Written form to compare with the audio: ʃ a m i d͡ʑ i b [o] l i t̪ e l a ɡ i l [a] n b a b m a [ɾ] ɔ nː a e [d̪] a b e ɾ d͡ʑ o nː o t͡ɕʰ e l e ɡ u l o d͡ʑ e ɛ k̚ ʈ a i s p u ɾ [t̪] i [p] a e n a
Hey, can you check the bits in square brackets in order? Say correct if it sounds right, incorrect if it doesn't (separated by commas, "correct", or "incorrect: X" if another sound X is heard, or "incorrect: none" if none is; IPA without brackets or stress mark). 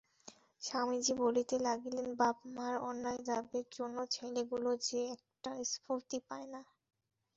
correct, incorrect: e, correct, correct, correct, correct